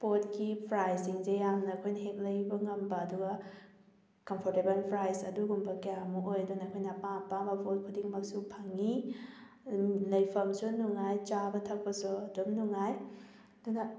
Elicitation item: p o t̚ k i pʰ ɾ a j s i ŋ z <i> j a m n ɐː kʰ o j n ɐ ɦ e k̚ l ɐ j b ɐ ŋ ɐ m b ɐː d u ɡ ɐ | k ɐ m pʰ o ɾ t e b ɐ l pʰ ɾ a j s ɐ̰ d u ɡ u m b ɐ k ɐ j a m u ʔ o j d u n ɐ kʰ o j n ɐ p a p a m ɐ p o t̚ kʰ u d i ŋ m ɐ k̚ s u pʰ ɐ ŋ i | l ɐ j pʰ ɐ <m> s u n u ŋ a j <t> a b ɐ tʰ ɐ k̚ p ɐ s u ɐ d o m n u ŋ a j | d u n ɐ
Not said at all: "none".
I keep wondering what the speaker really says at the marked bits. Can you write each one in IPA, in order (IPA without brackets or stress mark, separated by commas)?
e, m, t͡ʃ